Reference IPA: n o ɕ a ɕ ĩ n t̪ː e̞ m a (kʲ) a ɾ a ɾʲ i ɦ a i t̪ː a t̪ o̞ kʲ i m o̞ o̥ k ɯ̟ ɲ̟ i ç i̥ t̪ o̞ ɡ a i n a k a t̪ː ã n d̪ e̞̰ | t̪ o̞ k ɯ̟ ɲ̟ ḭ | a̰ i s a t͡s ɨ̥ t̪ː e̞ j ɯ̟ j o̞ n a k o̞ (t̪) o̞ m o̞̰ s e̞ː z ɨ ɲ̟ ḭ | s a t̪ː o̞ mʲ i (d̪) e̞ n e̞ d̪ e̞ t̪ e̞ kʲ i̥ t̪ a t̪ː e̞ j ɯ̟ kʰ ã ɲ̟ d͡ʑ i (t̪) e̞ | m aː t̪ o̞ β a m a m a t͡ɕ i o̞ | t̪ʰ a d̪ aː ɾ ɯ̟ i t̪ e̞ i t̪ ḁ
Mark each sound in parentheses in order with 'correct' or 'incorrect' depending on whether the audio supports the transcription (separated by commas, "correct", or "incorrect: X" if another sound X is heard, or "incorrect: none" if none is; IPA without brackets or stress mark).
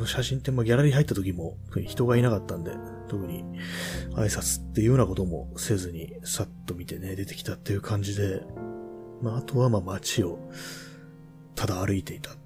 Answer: incorrect: ɡʲ, correct, incorrect: t̪, incorrect: d̪